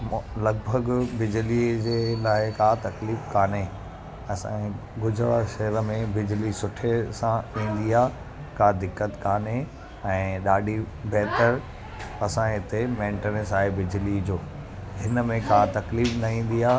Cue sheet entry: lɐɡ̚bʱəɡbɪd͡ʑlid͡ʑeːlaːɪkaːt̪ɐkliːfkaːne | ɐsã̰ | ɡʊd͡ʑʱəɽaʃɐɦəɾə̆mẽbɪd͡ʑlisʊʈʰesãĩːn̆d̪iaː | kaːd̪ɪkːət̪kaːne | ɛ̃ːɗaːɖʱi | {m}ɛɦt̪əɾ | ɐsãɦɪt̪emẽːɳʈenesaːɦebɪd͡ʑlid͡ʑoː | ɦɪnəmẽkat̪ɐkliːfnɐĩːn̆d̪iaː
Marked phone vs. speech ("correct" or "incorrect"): incorrect